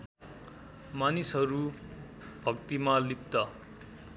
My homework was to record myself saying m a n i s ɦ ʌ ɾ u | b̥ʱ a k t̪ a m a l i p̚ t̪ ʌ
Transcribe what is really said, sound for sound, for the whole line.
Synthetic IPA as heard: m a n i s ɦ ʌ ɾ u | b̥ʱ ʌ k t̪ i m a l i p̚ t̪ ʌ

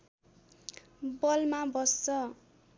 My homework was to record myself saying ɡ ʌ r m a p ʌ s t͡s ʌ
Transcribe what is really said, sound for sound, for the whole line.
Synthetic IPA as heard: b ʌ l m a b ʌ s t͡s ʌ

